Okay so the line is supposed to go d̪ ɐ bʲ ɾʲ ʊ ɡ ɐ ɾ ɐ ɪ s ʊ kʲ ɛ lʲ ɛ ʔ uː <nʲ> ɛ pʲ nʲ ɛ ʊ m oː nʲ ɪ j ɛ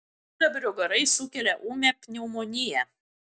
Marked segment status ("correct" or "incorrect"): incorrect